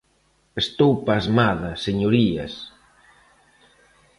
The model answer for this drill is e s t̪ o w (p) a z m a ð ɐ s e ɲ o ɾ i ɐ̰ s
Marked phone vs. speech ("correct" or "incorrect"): correct